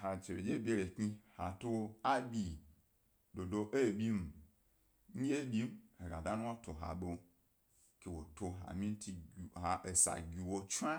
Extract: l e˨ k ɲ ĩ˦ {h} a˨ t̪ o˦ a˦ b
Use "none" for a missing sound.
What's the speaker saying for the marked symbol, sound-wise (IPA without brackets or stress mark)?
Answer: h